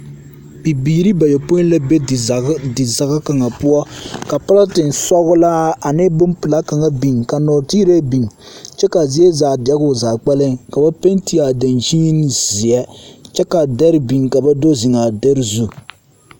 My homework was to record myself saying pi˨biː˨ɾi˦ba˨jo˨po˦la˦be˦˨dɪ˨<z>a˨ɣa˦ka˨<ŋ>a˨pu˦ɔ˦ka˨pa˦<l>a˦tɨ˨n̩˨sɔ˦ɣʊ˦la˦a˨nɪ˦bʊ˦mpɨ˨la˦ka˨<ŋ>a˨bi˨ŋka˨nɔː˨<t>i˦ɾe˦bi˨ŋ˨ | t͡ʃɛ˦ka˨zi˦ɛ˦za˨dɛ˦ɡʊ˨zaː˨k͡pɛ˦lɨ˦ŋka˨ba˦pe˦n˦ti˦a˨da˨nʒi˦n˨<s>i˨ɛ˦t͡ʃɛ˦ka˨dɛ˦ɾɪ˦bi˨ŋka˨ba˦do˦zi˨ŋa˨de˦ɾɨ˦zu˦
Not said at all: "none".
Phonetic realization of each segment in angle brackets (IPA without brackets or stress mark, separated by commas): z, ŋ, l, ŋ, t, z